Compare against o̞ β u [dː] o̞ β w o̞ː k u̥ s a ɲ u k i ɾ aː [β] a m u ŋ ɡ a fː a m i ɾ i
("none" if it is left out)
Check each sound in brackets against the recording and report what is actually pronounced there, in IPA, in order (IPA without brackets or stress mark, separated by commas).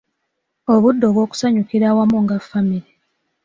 dː, w